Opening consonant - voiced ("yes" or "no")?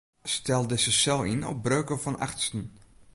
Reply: no